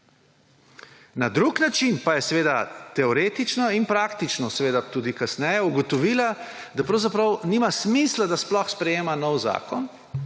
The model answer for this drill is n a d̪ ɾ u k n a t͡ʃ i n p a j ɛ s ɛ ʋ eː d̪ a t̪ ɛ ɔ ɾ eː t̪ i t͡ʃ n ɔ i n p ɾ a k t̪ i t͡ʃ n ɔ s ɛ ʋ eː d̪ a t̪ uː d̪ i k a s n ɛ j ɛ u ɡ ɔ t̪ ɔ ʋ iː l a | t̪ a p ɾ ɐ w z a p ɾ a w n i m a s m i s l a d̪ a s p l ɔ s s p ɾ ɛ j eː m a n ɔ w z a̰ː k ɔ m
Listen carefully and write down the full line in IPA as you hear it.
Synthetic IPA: n a d̪ ɾ u k n a t͡ʃ i n p a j ɛ s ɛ ʋ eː d̪ a t̪ ɛ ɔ ɾ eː t̪ i t͡ʃ n ɔ i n p ɾ a k t̪ i t͡ʃ n ɔ s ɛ ʋ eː d̪ a t̪ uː d̪ i k a s n ɛ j ɛ u ɡ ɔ t̪ ɔ ʋ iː l a | d̪ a p ɾ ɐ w z a p ɾ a w n i m a s m i s l a d̪ a s p l ɔ x s p ɾ ɛ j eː m a n ɔ w z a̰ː k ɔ n